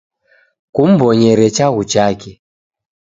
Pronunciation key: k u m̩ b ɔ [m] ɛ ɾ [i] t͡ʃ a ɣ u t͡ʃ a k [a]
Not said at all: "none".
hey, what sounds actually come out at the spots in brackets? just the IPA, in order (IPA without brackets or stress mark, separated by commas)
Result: ɲ, ɛ, ɛ